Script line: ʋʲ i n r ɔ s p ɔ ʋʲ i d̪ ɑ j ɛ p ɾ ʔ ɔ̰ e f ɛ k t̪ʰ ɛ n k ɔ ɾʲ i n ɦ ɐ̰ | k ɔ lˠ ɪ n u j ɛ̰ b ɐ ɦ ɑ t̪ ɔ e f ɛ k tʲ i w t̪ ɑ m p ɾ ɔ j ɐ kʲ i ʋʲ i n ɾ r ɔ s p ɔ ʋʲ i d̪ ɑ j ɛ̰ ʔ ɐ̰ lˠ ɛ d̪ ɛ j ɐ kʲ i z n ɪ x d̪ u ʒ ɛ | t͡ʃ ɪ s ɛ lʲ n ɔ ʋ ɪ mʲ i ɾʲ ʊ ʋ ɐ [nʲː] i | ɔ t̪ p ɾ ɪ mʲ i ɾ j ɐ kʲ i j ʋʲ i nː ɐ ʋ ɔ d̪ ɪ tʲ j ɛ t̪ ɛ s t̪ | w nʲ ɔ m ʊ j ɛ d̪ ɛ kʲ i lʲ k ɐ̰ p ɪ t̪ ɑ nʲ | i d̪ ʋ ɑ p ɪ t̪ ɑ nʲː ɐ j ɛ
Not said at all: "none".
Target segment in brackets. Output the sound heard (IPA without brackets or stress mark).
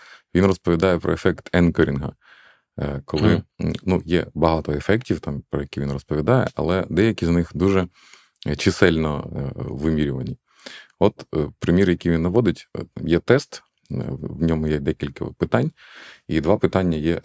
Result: nʲ